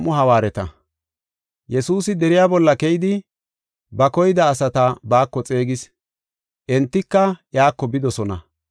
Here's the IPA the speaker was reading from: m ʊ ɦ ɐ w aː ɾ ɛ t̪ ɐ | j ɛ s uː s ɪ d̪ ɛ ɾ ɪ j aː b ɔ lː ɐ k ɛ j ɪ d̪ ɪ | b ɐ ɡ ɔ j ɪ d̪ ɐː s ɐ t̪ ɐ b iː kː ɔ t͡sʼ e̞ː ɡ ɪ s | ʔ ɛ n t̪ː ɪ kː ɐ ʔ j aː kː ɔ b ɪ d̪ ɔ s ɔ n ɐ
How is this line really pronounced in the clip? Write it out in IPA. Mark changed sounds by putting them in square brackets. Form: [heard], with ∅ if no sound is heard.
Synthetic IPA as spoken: m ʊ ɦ ɐ w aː ɾ ɛ t̪ ɐ | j ɛ s uː s ɪ d̪ ɛ ɾ ɪ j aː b ɔ lː ɐ k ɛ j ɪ d̪ ɪ | b ɐ [k] ɔ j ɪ d̪ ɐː s ɐ t̪ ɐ b [aː] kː ɔ t͡sʼ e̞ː ɡ ɪ s | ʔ ɛ n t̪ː ɪ kː ɐ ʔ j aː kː ɔ b ɪ d̪ ɔ s ɔ n ɐ